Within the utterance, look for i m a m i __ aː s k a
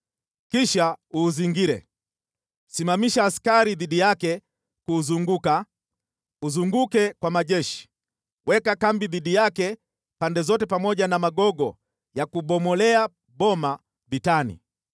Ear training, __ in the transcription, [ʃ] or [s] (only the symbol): ʃ